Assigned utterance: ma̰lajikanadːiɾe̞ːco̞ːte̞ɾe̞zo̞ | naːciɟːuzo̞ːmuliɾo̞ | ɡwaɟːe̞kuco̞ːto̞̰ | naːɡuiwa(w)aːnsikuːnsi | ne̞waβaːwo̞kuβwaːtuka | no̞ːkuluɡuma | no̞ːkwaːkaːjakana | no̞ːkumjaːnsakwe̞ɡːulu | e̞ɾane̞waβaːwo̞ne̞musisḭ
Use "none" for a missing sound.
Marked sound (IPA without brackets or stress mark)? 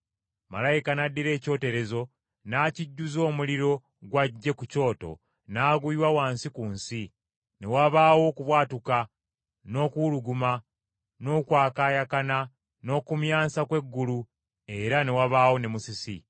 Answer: w